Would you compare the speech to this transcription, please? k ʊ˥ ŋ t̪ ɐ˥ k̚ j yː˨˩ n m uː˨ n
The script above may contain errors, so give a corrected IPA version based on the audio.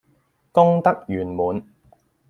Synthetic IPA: k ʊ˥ ŋ t̪ ɐ˥ k̚ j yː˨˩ n m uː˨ n